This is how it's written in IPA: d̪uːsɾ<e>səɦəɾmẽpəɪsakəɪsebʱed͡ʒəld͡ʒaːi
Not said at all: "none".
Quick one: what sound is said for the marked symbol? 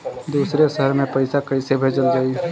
e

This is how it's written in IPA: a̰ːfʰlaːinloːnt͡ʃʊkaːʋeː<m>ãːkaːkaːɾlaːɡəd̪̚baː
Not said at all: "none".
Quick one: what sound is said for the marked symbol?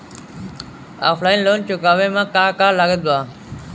m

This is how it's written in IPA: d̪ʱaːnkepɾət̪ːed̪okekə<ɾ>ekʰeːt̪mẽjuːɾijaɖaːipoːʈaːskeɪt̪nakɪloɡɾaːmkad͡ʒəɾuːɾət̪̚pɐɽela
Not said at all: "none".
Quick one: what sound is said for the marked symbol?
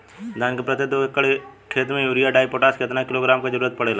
ɽ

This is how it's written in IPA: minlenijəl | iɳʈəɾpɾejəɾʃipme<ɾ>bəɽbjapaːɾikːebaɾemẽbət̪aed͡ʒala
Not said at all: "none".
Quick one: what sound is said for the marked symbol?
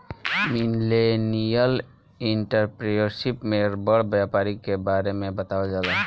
ɾ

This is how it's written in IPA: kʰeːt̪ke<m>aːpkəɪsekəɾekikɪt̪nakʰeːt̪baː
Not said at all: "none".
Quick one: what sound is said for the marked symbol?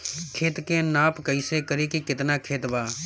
n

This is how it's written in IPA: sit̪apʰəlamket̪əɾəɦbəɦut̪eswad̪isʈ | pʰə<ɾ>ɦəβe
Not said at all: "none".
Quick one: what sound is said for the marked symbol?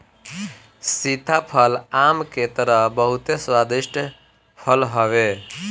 l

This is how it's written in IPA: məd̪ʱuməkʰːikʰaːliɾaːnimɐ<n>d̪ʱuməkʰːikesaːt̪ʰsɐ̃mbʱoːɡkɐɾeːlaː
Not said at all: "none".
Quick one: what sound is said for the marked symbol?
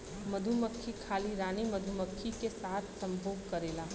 none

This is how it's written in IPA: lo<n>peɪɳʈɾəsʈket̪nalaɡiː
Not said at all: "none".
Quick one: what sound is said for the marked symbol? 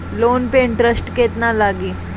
n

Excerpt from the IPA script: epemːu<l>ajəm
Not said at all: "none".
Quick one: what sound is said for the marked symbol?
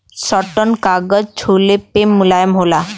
l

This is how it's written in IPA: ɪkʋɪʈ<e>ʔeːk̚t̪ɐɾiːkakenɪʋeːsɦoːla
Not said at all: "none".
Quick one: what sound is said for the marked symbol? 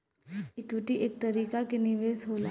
i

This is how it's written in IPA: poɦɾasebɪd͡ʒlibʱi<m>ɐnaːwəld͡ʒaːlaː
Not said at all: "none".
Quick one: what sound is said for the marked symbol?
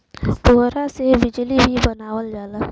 b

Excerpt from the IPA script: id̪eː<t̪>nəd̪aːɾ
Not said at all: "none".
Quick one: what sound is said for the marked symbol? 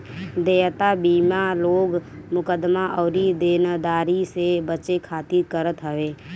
none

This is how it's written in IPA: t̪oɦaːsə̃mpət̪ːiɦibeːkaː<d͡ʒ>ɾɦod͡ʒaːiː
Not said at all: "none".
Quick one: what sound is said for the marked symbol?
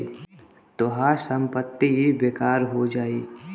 none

